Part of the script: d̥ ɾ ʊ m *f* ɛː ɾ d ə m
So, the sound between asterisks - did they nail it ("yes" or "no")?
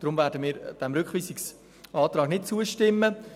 no